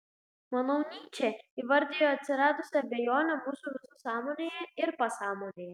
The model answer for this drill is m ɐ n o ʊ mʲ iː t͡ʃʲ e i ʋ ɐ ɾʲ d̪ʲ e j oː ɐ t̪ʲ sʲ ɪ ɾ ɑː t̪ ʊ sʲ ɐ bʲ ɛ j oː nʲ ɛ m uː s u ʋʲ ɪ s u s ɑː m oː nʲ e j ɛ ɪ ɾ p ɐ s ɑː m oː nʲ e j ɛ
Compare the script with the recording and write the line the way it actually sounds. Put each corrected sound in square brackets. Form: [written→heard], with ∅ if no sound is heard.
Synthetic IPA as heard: m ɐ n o ʊ [mʲ→nʲ] iː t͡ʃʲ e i ʋ ɐ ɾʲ d̪ʲ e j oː ɐ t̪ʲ sʲ ɪ ɾ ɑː [t̪→d̪] ʊ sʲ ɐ bʲ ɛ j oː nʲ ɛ m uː s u ʋʲ ɪ s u s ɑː m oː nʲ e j ɛ ɪ ɾ p ɐ s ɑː m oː nʲ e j ɛ